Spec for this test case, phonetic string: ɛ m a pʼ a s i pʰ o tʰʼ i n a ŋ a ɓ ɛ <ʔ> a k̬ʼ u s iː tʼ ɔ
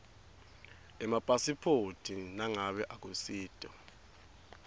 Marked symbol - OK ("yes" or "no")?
yes